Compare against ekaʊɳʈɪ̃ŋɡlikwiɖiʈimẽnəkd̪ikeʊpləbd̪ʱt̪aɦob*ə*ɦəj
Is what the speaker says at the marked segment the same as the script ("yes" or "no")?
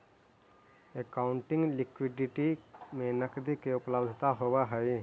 no